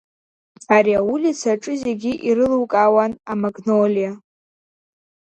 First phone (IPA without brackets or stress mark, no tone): a